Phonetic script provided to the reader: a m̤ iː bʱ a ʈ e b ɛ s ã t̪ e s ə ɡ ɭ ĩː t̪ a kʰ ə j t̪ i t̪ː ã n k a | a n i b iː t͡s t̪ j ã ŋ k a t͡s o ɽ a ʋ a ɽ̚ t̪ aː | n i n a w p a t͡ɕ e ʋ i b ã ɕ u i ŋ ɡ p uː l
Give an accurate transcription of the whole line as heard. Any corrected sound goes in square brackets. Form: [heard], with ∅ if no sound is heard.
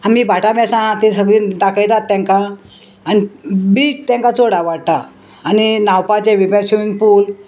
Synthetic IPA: a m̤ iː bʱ a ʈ [a] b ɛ s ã t̪ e s ə ɡ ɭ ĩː [d̪] a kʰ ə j t̪ [a] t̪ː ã [ŋ] k a | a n i b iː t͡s t̪ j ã ŋ k a t͡s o ɽ a ʋ a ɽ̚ t̪ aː | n i n a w p a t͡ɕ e ʋ i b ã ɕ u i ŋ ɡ p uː l